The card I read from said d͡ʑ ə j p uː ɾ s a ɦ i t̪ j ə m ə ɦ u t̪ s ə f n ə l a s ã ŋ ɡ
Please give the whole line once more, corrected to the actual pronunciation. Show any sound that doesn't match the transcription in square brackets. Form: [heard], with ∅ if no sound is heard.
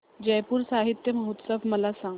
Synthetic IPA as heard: d͡ʑ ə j p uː ɾ s a ɦ i t̪ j ə m ə ɦ u t̪ s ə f [m] ə l a s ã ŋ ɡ